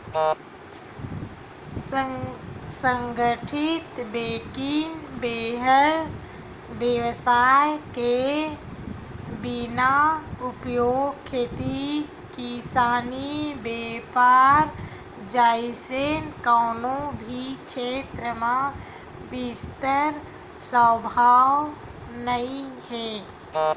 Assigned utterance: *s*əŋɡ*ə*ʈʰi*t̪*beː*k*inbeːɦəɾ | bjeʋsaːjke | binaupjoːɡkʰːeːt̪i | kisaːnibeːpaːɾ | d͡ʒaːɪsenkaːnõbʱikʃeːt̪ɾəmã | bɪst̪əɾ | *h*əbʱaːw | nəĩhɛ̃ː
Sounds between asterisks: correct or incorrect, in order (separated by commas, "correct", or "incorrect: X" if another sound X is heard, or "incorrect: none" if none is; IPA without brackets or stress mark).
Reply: correct, correct, correct, correct, incorrect: s